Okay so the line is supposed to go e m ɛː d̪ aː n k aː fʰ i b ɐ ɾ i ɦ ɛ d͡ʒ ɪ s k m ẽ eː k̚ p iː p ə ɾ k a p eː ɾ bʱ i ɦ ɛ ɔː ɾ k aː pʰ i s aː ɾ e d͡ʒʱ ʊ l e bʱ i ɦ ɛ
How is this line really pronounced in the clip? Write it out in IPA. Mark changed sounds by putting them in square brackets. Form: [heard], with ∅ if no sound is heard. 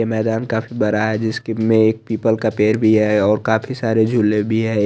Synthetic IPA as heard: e m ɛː d̪ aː n k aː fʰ i b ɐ ɾ [a] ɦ ɛ d͡ʒ ɪ s k m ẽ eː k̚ p iː p ə [l] k a p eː ɾ bʱ i ɦ ɛ ɔː ɾ k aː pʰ i s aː ɾ e d͡ʒʱ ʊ l e bʱ i ɦ ɛ